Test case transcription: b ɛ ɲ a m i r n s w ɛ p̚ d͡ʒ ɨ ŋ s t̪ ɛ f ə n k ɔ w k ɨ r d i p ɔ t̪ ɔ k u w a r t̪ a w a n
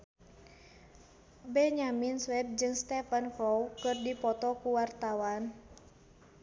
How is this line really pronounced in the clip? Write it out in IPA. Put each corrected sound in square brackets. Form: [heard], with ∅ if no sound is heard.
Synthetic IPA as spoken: b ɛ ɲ a m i [∅] n s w ɛ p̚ d͡ʒ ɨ ŋ s t̪ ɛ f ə n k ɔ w k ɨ r d i p ɔ t̪ ɔ k u w a r t̪ a w a n